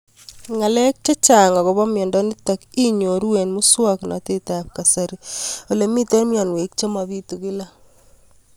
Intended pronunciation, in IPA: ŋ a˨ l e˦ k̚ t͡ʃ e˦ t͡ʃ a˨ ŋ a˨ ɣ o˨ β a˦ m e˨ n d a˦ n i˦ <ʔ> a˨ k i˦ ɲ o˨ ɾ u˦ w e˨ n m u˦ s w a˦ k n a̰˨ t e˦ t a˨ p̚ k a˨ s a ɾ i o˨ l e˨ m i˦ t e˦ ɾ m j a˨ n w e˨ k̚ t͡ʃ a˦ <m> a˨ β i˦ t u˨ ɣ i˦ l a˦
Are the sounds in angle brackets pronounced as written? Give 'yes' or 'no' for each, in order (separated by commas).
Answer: no, yes